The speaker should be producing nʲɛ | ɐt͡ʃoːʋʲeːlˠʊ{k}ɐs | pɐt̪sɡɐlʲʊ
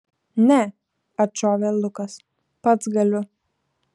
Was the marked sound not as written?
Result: no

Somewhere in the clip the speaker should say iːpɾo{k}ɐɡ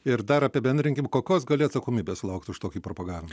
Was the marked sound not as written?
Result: yes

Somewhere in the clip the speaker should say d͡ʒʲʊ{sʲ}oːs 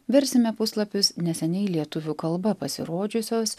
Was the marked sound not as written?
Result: no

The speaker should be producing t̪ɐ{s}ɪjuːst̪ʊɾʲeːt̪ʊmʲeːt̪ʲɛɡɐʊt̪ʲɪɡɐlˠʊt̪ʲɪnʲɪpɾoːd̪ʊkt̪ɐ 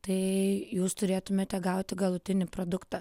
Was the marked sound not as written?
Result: yes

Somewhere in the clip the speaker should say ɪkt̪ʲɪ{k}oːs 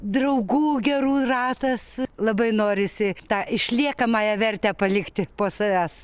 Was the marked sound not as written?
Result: yes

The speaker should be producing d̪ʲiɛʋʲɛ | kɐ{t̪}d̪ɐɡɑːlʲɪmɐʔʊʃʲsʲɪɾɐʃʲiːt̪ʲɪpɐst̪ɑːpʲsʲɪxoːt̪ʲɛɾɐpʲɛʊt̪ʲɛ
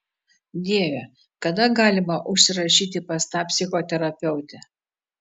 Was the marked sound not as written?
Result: yes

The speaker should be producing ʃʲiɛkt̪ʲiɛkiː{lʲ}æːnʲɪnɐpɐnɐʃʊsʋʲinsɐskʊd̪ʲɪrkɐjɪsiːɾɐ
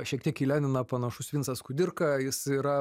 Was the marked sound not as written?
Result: no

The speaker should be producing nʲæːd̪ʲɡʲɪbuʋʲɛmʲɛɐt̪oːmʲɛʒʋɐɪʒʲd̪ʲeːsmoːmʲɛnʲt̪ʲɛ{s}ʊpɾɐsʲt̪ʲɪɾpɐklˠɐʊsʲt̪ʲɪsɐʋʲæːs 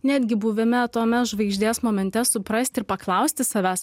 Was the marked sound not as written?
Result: no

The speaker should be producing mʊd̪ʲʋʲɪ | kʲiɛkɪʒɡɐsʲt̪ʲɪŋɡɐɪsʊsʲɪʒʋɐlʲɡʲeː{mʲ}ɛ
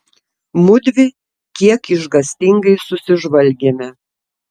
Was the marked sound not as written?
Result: no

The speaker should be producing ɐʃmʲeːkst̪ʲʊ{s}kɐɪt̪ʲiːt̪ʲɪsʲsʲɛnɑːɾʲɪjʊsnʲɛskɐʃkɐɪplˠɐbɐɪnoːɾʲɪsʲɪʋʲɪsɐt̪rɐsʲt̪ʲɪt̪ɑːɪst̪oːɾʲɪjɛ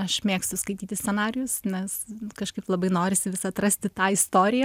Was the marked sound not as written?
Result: no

